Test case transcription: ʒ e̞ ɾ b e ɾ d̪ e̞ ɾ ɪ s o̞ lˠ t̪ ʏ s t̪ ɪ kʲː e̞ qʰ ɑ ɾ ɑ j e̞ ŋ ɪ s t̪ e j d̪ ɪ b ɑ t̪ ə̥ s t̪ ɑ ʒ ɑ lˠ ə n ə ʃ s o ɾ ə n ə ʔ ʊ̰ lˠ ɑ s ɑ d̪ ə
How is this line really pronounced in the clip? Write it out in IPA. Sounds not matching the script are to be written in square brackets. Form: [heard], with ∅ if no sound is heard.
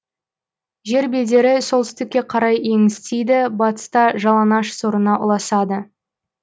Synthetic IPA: ʒ e̞ ɾ b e [l] d̪ e̞ ɾ ɪ s o̞ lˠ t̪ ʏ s t̪ ɪ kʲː e̞ qʰ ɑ ɾ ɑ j e̞ ŋ ɪ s t̪ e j d̪ ɪ b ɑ t̪ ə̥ s t̪ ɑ ʒ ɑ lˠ [ɑ] n [ɑ] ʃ s o ɾ ə n [ɑ] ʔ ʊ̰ lˠ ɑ s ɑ d̪ ə